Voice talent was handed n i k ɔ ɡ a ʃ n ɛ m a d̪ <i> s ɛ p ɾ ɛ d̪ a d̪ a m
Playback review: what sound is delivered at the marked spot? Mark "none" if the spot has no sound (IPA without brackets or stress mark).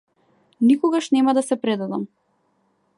a